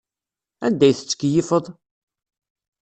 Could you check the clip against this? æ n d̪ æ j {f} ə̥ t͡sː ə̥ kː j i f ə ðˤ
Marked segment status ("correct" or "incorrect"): incorrect